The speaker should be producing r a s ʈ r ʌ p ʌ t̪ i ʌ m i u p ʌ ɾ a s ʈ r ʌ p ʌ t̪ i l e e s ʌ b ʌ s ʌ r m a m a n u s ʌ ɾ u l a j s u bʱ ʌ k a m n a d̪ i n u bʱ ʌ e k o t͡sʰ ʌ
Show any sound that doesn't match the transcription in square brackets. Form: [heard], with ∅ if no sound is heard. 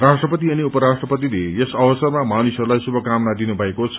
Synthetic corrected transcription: r a s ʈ r ʌ p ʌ t̪ i ʌ [n] i u p ʌ ɾ a s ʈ r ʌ p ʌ t̪ i l e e s ʌ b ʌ s ʌ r m a m a n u s ʌ ɾ u l a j s u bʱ ʌ k a m n a d̪ i n u bʱ ʌ e k o t͡sʰ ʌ